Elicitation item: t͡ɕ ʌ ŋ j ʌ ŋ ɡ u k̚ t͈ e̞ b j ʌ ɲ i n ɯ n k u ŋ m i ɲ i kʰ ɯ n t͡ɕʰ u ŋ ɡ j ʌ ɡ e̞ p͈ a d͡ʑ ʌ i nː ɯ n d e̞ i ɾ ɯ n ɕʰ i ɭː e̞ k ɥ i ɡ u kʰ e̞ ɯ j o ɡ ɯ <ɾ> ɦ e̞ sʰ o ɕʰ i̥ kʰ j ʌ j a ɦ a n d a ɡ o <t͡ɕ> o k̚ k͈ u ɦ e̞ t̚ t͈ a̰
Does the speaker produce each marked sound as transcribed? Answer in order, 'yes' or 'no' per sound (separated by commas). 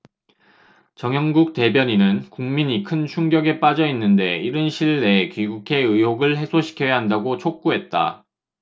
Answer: no, no